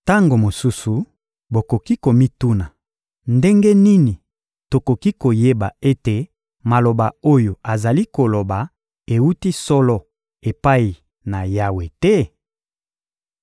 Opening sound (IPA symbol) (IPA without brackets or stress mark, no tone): t